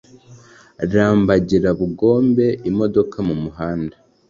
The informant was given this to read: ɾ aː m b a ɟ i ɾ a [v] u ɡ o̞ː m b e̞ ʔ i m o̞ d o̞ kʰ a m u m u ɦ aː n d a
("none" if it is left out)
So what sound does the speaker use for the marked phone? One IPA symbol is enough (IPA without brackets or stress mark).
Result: β